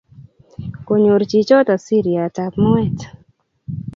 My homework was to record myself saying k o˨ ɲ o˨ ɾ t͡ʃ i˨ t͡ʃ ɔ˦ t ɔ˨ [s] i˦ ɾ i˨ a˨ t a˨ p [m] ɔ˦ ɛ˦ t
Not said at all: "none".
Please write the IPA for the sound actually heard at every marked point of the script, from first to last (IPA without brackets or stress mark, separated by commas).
s, m